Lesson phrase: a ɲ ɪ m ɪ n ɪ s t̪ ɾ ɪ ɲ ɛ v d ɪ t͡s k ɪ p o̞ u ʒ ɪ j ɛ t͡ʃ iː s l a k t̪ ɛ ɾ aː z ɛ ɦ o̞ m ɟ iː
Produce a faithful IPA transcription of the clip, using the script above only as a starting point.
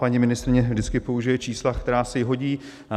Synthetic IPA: a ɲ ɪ m ɪ n ɪ s t̪ ɾ ɪ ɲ ɛ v d ɪ t͡s k ɪ p o̞ u ʒ ɪ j ɛ t͡ʃ iː s l a k t̪ ɛ ɾ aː s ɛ ɦ o̞ ɟ iː